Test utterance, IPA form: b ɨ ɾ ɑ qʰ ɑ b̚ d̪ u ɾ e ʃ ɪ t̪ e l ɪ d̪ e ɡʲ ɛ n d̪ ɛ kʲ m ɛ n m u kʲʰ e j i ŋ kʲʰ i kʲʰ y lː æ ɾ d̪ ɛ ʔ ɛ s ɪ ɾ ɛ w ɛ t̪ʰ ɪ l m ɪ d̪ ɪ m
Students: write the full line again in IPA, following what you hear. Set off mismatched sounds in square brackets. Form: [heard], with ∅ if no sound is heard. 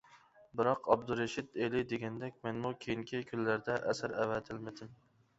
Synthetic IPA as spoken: b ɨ ɾ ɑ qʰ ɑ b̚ d̪ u ɾ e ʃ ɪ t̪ e l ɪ d̪ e ɡʲ ɛ n d̪ ɛ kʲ m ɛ n m u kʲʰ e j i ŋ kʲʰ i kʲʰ y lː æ ɾ d̪ ɛ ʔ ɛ s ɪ ɾ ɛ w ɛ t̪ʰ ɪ l m ɪ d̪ ɪ m